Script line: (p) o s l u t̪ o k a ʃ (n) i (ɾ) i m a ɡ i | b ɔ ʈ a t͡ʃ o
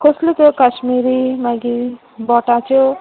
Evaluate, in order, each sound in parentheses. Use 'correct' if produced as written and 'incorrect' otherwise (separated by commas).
incorrect, incorrect, correct